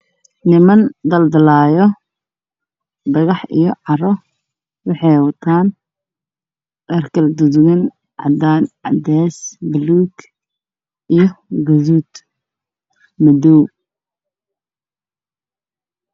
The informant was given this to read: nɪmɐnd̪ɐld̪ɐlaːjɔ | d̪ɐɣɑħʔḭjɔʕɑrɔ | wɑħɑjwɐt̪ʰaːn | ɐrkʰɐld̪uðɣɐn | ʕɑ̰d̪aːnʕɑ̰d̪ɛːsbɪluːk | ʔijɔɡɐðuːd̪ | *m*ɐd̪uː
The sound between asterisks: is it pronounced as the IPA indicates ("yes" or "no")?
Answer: yes